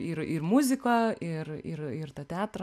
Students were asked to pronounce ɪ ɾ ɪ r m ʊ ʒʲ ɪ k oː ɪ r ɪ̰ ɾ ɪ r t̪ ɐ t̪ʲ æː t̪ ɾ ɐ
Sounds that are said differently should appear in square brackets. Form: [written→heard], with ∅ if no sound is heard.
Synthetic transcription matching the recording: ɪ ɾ ɪ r m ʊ [ʒʲ→zʲ] ɪ k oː ɪ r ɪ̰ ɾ ɪ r t̪ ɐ t̪ʲ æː t̪ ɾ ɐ